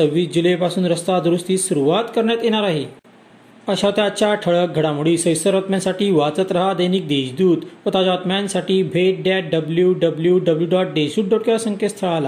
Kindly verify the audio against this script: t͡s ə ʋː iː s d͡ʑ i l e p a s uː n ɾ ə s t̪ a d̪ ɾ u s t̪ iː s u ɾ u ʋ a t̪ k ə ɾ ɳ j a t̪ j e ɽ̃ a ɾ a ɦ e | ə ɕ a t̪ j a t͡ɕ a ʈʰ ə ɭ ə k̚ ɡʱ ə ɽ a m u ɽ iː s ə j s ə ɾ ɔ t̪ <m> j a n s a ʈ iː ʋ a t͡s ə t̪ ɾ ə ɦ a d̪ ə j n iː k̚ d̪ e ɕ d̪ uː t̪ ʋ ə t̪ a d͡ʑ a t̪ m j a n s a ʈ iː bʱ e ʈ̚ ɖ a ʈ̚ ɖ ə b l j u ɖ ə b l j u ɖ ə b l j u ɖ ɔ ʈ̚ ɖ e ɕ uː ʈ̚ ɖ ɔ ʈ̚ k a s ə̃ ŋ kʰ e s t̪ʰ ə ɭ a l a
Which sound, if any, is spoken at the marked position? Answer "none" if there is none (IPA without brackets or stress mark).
m